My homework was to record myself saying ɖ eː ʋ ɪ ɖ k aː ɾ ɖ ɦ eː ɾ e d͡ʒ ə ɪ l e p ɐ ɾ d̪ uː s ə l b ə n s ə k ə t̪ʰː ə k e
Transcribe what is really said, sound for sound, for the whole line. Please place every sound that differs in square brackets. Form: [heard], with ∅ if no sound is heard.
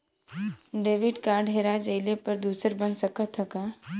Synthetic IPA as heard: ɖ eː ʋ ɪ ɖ k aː ɾ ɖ ɦ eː ɾ [a] d͡ʒ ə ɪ l e p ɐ ɾ d̪ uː s ə [ɾ] b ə n s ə k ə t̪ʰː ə k [a]